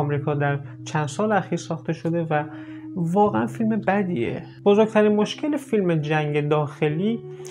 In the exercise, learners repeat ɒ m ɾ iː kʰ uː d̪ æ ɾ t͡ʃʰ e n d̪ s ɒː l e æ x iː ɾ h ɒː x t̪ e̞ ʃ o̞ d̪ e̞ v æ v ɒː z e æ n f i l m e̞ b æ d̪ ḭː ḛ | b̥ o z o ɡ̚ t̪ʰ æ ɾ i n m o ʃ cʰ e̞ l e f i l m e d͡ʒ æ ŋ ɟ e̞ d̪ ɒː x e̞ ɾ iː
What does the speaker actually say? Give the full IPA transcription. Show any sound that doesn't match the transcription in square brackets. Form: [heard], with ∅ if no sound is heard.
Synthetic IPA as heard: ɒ m ɾ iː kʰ [ɒː] d̪ æ ɾ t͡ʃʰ [æ] n d̪ s ɒː l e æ x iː ɾ [s] ɒː x t̪ e̞ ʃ o̞ d̪ e̞ v æ v ɒː [ɣ] e æ n f i l m e̞ b æ d̪ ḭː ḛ | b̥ o z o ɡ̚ t̪ʰ æ ɾ i n m o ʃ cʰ e̞ l e f i l m e d͡ʒ æ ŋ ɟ e̞ d̪ ɒː x e̞ [l] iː